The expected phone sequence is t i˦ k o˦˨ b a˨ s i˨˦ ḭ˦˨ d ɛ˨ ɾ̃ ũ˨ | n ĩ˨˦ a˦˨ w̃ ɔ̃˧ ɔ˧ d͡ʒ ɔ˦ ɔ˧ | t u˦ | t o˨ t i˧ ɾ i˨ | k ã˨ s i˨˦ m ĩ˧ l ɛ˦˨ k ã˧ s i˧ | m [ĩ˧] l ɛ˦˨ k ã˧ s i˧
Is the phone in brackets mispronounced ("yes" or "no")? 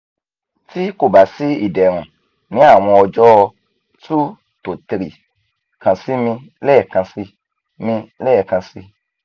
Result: no